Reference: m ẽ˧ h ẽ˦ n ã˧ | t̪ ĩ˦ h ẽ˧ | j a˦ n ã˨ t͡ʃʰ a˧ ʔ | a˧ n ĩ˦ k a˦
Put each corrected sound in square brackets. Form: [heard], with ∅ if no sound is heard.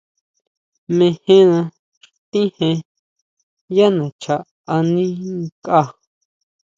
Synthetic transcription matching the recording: m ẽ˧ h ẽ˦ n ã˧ | t̪ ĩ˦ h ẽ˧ | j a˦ n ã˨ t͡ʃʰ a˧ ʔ | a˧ n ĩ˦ k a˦